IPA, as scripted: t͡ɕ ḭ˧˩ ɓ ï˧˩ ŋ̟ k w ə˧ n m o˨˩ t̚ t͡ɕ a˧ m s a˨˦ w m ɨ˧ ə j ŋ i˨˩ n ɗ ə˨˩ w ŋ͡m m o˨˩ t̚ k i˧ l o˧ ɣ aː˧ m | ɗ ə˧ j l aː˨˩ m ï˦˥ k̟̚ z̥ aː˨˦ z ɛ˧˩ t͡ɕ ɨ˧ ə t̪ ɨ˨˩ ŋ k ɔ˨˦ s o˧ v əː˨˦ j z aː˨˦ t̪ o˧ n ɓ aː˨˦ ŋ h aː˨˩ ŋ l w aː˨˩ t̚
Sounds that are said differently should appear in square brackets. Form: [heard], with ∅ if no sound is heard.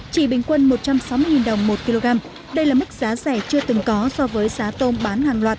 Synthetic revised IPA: t͡ɕ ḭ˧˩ ɓ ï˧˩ ŋ̟ k w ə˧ n m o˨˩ t̚ t͡ɕ a˧ m s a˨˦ w m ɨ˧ ə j ŋ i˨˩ n ɗ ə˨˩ w ŋ͡m m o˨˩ t̚ k i˧ l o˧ ɣ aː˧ m | ɗ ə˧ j l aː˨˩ m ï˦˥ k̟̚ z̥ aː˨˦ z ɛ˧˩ t͡ɕ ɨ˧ ə t̪ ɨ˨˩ ŋ k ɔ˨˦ s [ɔ˧] v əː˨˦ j z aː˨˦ t̪ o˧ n ɓ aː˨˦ [n] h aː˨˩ ŋ l w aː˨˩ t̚